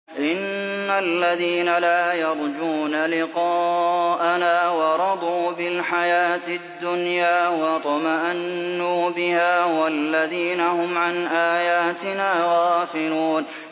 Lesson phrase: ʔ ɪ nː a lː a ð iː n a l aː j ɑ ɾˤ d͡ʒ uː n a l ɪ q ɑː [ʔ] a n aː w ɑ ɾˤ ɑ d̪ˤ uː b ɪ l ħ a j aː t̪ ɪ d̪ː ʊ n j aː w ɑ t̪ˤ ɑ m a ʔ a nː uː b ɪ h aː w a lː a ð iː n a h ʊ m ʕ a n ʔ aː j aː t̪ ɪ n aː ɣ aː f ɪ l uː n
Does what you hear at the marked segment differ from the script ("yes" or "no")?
no